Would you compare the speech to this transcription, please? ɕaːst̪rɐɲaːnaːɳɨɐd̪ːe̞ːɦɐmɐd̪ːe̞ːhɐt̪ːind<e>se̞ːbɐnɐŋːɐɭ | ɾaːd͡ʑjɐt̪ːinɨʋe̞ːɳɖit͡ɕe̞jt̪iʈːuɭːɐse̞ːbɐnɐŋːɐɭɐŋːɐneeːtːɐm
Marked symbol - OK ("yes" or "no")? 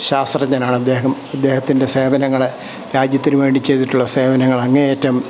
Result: yes